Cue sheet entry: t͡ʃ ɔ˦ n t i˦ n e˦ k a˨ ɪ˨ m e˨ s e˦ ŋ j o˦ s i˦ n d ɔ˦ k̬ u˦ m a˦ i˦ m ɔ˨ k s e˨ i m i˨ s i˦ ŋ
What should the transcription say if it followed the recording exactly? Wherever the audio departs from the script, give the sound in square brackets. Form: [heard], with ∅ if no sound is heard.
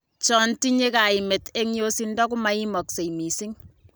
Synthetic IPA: t͡ʃ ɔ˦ n t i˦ [ɲ] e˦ k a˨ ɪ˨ m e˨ [t] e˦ ŋ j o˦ s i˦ n d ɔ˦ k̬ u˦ m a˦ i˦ m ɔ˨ k s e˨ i m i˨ s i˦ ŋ